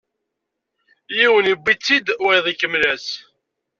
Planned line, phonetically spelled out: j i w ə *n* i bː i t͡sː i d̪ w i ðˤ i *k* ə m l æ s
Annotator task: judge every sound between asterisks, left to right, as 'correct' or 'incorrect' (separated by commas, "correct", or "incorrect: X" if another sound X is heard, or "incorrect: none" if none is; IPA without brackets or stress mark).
correct, correct